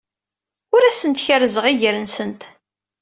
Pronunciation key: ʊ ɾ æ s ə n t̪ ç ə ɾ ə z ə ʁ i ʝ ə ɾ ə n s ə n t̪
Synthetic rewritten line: ʊ ɾ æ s ə n t̪ ç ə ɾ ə z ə ʁ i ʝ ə ɾ ə n s ə n t̪